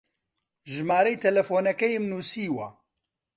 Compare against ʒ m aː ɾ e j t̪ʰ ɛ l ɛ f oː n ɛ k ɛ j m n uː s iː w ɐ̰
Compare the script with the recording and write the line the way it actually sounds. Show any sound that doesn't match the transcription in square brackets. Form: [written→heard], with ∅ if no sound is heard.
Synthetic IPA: ʒ m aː ɾ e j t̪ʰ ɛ l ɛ f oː n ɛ k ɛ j m n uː s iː w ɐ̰